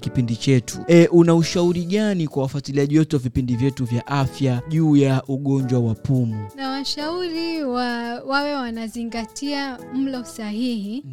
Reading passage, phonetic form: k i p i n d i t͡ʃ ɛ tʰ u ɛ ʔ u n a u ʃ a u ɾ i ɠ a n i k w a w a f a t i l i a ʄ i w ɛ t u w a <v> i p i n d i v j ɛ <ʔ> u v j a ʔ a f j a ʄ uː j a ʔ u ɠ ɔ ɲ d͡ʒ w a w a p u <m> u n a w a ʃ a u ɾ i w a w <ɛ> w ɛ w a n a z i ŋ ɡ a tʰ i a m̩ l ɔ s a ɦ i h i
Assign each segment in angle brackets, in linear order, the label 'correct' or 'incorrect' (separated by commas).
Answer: correct, incorrect, correct, incorrect